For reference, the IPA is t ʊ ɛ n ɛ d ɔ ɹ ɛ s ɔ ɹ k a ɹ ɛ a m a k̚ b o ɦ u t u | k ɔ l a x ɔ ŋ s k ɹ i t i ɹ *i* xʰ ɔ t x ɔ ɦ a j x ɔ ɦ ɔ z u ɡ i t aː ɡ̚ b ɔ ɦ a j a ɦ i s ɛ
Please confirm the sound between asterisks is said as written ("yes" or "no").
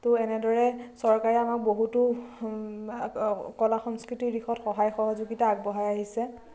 yes